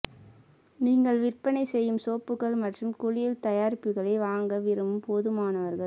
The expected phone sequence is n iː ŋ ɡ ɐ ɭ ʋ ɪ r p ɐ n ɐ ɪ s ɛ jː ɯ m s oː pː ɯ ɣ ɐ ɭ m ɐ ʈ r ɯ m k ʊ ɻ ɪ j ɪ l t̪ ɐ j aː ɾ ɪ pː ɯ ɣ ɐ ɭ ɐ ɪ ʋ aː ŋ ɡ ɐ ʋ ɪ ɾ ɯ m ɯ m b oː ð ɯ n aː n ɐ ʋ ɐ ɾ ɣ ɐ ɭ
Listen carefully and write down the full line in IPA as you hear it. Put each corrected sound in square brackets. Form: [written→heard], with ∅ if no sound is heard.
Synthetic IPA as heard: n iː ŋ ɡ ɐ ɭ ʋ ɪ r p ɐ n ɐ ɪ s ɛ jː ɯ m s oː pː ɯ ɣ ɐ ɭ m ɐ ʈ r ɯ m k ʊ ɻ ɪ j ɪ l t̪ ɐ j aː ɾ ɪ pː ɯ ɣ ɐ ɭ ɐ ɪ ʋ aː ŋ ɡ ɐ ʋ ɪ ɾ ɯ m ɯ m [b→p] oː ð ɯ [n→m] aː n ɐ ʋ ɐ ɾ ɣ ɐ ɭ